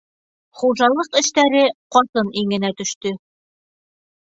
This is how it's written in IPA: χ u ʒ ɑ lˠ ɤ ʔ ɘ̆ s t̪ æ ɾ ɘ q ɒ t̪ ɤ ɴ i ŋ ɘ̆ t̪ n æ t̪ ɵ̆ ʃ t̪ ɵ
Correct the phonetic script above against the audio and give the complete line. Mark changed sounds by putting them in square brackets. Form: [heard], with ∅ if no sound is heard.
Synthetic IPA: χ u ʒ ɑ lˠ ɤ [q] ɘ̆ [ʃ] t̪ æ ɾ ɘ q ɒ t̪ ɤ [n] i ŋ ɘ̆ [∅] n æ t̪ ɵ̆ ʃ t̪ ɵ